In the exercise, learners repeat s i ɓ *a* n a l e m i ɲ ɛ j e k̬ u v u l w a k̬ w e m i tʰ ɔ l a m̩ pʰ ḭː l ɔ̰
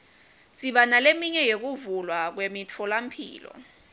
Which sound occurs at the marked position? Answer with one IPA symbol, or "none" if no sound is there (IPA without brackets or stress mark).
a